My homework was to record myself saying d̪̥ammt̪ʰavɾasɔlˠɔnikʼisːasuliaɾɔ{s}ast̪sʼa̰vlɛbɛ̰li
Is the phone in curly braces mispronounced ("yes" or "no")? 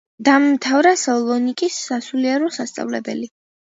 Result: no